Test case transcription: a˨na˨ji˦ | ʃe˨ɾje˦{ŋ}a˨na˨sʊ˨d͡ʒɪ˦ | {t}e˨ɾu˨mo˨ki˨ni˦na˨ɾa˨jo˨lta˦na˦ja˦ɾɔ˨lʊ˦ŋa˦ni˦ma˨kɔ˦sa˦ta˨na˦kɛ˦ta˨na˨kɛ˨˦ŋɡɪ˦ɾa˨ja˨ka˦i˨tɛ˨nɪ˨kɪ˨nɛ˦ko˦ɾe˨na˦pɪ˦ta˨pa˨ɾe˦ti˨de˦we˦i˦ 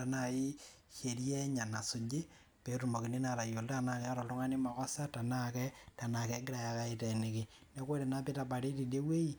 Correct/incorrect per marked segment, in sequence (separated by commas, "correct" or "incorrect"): incorrect, incorrect